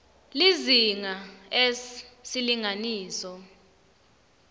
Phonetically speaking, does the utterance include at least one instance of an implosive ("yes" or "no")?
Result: no